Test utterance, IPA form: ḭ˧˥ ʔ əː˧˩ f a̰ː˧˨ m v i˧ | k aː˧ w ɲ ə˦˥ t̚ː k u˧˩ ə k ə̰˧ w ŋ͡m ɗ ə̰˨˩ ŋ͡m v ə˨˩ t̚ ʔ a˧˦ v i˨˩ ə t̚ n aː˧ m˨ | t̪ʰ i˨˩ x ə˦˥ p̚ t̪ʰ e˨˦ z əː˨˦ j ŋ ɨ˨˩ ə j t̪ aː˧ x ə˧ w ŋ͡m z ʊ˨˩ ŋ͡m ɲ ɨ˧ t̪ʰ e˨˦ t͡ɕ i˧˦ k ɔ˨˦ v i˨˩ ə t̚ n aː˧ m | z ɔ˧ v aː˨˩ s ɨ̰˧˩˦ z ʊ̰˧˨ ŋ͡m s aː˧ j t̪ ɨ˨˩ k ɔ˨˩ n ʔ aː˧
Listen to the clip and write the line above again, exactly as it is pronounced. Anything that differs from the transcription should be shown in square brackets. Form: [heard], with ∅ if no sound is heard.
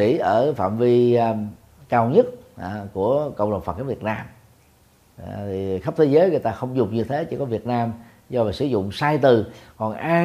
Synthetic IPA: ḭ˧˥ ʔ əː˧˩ f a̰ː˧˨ m v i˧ | k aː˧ w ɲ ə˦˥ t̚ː k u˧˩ ə k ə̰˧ w ŋ͡m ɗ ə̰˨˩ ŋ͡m [f] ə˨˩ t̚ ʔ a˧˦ v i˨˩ ə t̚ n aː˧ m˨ | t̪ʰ i˨˩ x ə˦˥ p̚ t̪ʰ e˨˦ z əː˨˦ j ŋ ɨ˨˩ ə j t̪ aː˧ x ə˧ w ŋ͡m z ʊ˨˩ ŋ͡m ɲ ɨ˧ t̪ʰ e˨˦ t͡ɕ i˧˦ k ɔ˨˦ v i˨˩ ə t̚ n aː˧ m | z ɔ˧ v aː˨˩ s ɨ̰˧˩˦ z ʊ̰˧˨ ŋ͡m s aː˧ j t̪ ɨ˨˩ k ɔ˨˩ n ʔ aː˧